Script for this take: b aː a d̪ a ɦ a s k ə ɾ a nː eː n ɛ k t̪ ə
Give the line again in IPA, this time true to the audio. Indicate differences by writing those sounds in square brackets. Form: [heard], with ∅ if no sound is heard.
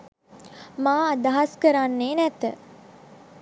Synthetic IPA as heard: [m] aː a d̪ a ɦ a s k ə ɾ a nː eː n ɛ [∅] t̪ ə